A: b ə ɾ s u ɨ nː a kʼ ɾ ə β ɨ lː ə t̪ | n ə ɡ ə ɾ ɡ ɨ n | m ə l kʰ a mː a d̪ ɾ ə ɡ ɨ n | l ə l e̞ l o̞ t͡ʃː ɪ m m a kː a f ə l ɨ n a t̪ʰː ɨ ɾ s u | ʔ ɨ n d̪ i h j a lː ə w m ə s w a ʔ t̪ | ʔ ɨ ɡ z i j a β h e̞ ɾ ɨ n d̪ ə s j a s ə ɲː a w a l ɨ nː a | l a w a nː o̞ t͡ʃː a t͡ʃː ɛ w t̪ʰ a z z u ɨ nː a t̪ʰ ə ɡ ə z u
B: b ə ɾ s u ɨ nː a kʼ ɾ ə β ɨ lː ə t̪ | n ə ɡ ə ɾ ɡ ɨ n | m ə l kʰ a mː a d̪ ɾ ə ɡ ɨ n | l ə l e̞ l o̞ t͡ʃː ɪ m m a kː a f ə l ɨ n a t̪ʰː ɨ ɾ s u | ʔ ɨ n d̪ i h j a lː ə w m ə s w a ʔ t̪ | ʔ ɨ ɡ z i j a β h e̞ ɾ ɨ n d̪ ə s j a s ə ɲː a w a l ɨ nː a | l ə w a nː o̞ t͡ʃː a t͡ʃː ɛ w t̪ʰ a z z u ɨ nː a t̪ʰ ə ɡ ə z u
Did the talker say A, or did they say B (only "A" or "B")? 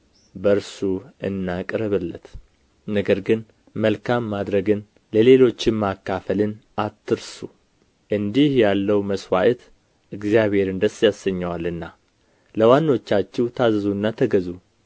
B